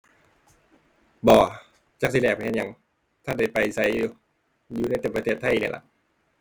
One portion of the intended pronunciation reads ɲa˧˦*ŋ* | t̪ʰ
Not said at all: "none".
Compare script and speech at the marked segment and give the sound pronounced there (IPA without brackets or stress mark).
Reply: ŋ